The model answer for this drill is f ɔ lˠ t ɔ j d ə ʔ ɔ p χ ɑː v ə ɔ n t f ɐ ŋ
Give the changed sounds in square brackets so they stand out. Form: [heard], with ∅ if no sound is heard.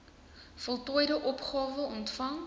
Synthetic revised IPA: f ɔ lˠ t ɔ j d ə ʔ ɔ p χ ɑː v ə ɔ n t f ɐ ŋ

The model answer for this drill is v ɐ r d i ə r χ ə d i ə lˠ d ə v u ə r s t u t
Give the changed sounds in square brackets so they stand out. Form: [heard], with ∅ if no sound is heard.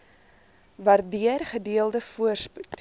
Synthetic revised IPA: v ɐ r d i ə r χ ə d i ə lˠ d ə [f] u ə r s [p] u t

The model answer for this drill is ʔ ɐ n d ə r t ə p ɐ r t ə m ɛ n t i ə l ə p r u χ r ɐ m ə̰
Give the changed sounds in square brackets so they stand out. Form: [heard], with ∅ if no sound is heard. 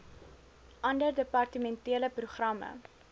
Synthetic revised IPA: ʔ ɐ n d ə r [d] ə p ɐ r t ə m ɛ n t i ə l ə p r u χ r ɐ m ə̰

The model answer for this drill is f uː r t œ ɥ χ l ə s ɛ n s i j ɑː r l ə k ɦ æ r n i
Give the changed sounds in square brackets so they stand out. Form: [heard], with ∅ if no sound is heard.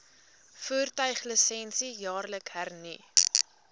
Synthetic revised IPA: f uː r t œ ɥ χ l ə s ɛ n s i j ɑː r l ə k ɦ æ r n i

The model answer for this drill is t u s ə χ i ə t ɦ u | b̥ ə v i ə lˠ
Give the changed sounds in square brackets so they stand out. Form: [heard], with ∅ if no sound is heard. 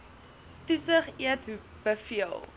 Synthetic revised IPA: t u s ə χ i ə t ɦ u | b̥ ə [f] i ə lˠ

